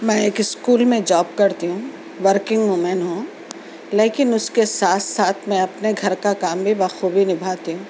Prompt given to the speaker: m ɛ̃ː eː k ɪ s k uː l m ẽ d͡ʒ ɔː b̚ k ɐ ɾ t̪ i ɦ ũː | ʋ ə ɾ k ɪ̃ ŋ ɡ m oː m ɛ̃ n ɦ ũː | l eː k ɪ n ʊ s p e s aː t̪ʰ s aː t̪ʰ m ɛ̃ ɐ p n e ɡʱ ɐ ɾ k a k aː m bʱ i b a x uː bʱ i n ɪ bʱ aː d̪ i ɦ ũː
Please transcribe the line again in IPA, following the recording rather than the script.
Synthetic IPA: m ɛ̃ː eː k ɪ s k uː l m ẽ d͡ʒ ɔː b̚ k ɐ ɾ t̪ i ɦ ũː | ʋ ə ɾ k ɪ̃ ŋ ɡ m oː m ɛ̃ n ɦ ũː | l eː k ɪ n ʊ s k e s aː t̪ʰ s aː t̪ʰ m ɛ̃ ɐ p n e ɡʱ ɐ ɾ k a k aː m bʱ i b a x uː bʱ i n ɪ bʱ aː t̪ i ɦ ũː

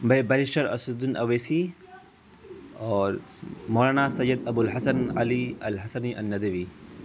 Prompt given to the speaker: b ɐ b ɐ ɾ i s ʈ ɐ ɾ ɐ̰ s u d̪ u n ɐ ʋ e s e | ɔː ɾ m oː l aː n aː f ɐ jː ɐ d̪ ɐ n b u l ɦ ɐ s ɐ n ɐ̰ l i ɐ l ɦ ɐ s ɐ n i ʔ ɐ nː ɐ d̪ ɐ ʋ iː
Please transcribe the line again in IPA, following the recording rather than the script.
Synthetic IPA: b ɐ b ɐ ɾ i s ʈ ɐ ɾ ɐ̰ s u d̪ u n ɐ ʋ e s i | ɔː ɾ m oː l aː n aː s ɐ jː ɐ d̪ ɐ b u l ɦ ɐ s ɐ n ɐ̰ l i ɐ l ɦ ɐ s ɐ n i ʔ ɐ nː ɐ d̪ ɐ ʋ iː

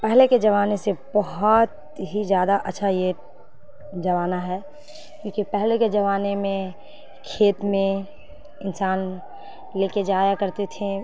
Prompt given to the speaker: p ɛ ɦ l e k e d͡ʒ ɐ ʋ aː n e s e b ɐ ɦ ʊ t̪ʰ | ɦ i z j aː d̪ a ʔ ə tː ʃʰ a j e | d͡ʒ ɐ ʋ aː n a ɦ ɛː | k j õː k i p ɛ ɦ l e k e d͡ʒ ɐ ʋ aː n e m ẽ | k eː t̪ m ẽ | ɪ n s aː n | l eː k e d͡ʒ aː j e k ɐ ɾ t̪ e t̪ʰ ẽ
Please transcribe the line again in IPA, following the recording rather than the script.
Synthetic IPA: p ɛ ɦ l e k e d͡ʒ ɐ ʋ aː n e s e b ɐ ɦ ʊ t̪ | ɦ i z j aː d̪ a ʔ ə tː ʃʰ a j e | d͡ʒ ɐ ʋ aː n a ɦ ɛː | k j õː k i p ɛ ɦ l e k e d͡ʒ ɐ ʋ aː n e m ẽ | kʰ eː t̪ m ẽ | ɪ n s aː n | l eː k e d͡ʒ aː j a k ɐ ɾ t̪ e t̪ʰ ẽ

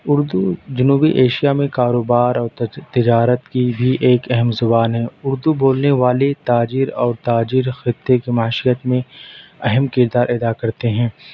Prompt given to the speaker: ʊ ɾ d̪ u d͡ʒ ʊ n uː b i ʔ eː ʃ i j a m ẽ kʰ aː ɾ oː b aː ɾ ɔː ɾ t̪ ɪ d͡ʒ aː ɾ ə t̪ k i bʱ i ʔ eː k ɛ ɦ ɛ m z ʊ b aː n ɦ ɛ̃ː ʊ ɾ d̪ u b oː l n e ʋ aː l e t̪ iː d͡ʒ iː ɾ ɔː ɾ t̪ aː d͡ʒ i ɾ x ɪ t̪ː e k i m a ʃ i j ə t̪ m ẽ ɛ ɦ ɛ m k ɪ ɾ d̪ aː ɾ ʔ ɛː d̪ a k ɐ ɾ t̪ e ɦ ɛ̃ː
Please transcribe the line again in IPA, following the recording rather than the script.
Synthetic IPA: ʊ ɾ d̪ u d͡ʒ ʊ n uː b i ʔ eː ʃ i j a m ẽ k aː ɾ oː b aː ɾ ɔː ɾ t̪ ɪ d͡ʒ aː ɾ ə t̪ k i bʱ i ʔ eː k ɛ ɦ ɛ m z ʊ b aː n ɦ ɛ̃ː ʊ ɾ d̪ u b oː l n e ʋ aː l e t̪ aː d͡ʒ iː ɾ ɔː ɾ t̪ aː d͡ʒ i ɾ x ɪ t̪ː e k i m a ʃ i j ə t̪ m ẽ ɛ ɦ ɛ m k ɪ ɾ d̪ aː ɾ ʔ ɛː d̪ a k ɐ ɾ t̪ e ɦ ɛ̃ː

